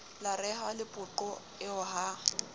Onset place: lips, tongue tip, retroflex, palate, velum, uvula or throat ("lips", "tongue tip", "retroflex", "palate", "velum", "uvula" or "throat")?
tongue tip